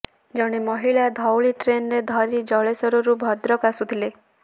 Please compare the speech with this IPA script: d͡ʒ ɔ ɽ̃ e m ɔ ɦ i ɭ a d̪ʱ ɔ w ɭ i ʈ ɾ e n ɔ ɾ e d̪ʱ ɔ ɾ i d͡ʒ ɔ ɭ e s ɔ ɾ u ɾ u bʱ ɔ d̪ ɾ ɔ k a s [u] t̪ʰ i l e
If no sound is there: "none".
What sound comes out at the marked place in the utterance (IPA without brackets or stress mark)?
u